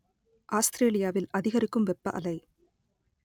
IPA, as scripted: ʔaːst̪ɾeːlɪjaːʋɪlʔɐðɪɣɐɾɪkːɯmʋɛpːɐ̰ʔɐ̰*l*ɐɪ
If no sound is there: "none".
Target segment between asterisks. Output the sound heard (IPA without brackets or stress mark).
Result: l